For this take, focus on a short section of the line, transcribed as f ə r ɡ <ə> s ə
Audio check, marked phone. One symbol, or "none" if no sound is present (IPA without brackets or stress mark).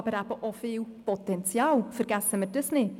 a